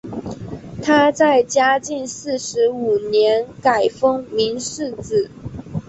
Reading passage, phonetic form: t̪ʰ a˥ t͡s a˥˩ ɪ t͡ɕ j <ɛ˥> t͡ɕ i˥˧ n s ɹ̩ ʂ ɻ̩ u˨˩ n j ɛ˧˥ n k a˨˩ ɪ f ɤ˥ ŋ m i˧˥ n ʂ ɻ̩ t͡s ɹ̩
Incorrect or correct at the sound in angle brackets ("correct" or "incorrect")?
incorrect